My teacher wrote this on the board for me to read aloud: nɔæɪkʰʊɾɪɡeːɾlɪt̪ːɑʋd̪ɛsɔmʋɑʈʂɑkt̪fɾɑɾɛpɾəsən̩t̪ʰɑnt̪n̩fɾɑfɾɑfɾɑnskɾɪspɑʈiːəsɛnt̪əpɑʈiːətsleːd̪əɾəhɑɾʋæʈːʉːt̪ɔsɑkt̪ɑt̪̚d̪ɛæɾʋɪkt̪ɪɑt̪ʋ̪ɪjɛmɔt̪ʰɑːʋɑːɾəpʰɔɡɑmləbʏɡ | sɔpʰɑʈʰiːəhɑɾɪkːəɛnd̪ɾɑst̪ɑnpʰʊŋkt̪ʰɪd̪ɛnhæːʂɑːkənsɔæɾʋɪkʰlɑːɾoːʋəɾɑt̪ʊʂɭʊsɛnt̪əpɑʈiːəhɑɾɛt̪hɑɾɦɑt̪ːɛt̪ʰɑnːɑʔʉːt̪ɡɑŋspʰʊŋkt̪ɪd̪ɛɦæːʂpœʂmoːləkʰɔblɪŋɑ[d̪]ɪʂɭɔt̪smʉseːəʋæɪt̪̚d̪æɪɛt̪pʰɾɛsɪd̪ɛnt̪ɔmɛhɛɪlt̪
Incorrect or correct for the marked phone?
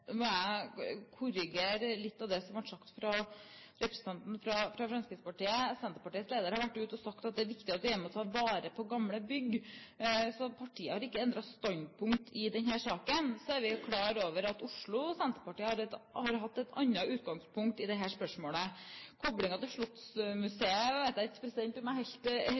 incorrect: t̪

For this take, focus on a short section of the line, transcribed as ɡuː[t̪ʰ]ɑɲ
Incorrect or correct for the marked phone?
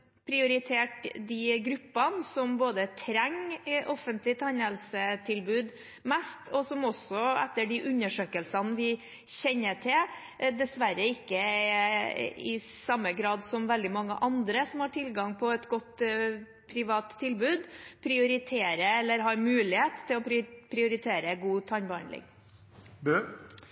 correct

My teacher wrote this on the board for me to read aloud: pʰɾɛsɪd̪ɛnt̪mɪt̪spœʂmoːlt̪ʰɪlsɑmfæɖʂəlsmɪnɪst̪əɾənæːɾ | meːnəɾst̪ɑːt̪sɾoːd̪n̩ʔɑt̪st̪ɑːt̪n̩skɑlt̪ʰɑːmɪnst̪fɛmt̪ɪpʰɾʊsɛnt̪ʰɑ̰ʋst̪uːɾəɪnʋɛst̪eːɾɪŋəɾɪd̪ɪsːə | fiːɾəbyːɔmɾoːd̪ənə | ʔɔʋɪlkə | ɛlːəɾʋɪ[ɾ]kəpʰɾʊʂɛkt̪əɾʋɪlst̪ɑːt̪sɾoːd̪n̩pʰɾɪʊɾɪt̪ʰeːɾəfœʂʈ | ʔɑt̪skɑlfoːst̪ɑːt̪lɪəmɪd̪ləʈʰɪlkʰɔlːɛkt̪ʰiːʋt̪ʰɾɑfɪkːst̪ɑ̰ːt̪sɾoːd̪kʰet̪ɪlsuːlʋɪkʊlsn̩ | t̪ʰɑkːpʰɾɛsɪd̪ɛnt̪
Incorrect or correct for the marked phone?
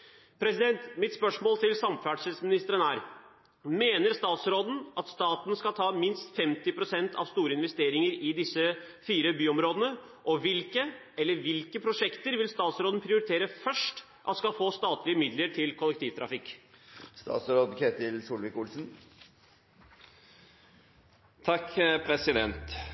incorrect: l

